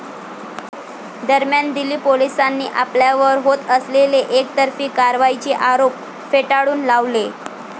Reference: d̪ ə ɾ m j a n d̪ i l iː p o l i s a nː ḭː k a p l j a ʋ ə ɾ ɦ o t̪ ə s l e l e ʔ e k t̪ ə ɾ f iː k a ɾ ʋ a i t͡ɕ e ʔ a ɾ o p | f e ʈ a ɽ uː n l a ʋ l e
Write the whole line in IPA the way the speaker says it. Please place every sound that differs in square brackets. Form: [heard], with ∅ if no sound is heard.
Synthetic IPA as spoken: d̪ ə ɾ m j a n d̪ i l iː p o l i s a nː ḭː [ʔ] a p l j a ʋ ə ɾ ɦ o t̪ ə s l e l e ʔ e k t̪ ə ɾ f iː k a ɾ ʋ a i t͡ɕ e ʔ a ɾ o p | f e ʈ a ɽ uː n l a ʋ l e

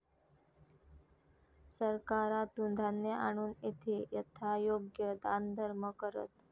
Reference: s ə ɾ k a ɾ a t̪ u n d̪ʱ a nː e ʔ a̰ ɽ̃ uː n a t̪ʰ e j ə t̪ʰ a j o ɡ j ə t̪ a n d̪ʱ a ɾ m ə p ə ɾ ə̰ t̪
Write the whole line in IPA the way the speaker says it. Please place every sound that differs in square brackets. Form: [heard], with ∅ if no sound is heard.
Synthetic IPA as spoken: s ə ɾ k a ɾ a t̪ u n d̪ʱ a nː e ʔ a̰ ɽ̃ uː n [e] t̪ʰ e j ə t̪ʰ a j o ɡ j ə [d̪] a n d̪ʱ [ə] ɾ m ə [k] ə ɾ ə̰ t̪

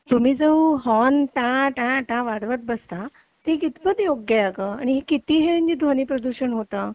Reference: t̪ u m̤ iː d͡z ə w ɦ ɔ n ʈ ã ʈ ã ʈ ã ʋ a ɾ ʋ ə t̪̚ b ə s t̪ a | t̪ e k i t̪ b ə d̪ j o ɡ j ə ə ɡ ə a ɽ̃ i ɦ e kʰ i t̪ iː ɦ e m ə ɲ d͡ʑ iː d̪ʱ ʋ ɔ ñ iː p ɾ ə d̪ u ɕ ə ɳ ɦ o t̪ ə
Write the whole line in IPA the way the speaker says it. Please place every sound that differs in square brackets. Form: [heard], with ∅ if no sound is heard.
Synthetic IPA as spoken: t̪ u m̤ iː d͡z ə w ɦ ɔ n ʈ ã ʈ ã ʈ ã ʋ a [ɽ] ʋ ə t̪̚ b ə s t̪ a | t̪ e k i t̪ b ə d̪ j o ɡ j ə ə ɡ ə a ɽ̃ i ɦ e [k] i t̪ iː ɦ e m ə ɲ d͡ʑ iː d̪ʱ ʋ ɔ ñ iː p ɾ ə d̪ u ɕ ə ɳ ɦ o t̪ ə

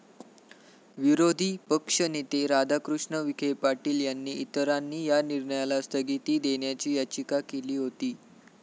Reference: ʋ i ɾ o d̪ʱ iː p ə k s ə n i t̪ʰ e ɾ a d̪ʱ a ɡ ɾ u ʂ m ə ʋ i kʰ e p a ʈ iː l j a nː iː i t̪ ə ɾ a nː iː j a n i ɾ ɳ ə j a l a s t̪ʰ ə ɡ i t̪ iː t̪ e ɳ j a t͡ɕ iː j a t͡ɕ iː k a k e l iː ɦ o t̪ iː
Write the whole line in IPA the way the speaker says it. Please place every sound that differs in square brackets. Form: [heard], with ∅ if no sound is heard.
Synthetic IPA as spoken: ʋ i ɾ o d̪ʱ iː p ə k [ʂ] ə n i [t̪] e ɾ a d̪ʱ a [k] ɾ u ʂ [ɳ] ə ʋ i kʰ e p a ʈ iː l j a nː iː i t̪ ə ɾ a nː iː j a n i ɾ ɳ ə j a l a s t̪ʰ ə ɡ i t̪ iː [d̪] e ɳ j a t͡ɕ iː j a t͡ɕ [i] k a k e l iː ɦ o t̪ iː

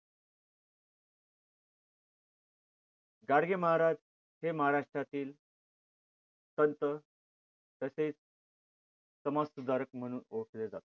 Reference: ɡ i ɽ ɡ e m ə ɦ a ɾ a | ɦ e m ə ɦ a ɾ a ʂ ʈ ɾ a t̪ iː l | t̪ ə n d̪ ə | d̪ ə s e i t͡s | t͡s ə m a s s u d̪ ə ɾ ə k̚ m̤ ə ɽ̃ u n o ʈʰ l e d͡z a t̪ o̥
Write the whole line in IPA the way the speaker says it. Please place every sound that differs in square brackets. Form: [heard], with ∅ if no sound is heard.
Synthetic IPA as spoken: ɡ [a] ɽ ɡ e m ə ɦ a ɾ a | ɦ e m ə ɦ a ɾ a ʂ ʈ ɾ a t̪ iː l | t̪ ə n [t̪] ə | [t̪] ə s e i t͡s | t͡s ə m a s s u d̪ [a] ɾ ə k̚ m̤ ə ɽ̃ [uː] n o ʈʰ l e d͡z a t̪ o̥

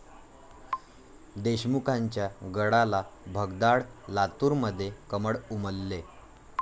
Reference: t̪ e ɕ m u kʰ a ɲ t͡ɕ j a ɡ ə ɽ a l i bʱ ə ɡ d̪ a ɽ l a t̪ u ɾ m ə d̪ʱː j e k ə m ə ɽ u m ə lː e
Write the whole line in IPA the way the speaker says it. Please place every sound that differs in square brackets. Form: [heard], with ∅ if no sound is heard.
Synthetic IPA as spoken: [d̪] e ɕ m u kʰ a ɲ t͡ɕ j a ɡ ə ɽ a l [a] bʱ ə ɡ d̪ a ɽ l a t̪ u ɾ m ə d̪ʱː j e k ə m ə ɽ u m ə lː e

